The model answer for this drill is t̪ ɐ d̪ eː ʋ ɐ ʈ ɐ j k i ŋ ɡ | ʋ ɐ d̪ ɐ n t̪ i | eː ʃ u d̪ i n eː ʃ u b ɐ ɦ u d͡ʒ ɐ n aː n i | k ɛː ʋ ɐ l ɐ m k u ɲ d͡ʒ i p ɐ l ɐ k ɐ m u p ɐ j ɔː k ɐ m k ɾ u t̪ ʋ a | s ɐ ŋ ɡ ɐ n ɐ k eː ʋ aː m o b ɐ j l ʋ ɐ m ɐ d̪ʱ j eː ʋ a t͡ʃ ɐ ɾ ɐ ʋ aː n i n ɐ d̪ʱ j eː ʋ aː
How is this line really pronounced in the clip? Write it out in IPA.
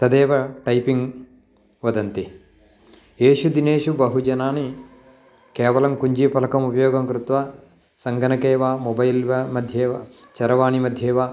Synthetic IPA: t̪ ɐ d̪ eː ʋ ɐ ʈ ɐ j p i ŋ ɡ | ʋ ɐ d̪ ɐ n t̪ i | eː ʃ u d̪ i n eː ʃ u b ɐ ɦ u d͡ʒ ɐ n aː n i | k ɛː ʋ ɐ l ɐ m k u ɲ d͡ʒ i p ɐ l ɐ k ɐ m u p ɐ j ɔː ɡ ɐ m k ɾ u t̪ ʋ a | s ɐ ŋ ɡ ɐ n ɐ k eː ʋ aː m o b ɐ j l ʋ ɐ m ɐ d̪ʱ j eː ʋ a t͡ʃ ɐ ɾ ɐ ʋ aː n i m ɐ d̪ʱ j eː ʋ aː